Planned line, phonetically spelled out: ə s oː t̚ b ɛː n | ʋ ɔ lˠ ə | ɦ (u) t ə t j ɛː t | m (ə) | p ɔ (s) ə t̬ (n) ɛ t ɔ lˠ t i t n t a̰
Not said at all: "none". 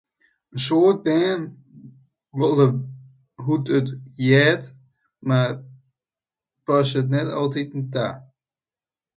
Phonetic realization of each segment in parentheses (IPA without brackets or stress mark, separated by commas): u, a, s, n